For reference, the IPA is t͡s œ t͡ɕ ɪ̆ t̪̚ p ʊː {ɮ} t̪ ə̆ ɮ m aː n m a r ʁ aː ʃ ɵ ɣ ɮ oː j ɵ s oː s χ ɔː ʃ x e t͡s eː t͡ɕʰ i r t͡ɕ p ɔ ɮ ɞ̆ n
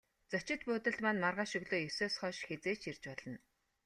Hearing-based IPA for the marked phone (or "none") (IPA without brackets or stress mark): none